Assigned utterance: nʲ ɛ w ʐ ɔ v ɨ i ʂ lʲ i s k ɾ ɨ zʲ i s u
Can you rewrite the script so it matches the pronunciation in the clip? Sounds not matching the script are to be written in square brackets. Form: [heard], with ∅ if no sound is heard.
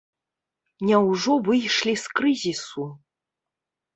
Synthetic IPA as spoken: nʲ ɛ w ʐ ɔ v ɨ [j] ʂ lʲ i s k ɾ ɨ zʲ i s u